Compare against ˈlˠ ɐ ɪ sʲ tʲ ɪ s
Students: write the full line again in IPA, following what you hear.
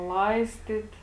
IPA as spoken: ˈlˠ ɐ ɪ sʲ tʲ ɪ t